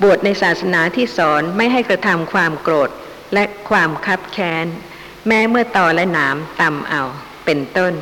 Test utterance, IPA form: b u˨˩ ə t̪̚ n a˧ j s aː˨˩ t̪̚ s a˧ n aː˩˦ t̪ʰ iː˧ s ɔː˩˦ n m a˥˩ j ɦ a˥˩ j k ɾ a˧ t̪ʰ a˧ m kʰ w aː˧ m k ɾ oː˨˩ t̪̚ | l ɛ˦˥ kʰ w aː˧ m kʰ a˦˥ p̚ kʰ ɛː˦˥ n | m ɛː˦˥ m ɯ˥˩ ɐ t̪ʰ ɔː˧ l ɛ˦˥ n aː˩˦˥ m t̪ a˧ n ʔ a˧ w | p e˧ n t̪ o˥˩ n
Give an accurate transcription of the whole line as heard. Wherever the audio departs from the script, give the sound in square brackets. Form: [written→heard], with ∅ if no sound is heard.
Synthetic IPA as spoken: b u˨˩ ə t̪̚ n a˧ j s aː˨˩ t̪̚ s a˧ n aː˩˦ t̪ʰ [iː˧→iː˥˩] s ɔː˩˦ n m a˥˩ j ɦ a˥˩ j k ɾ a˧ t̪ʰ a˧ m kʰ w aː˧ m k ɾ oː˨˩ t̪̚ | l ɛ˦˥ kʰ w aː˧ m kʰ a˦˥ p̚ kʰ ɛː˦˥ n | m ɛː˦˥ m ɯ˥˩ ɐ [t̪ʰ→t̪] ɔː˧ l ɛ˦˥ n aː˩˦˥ m t̪ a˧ [n→m] ʔ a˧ w | p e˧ n t̪ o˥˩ n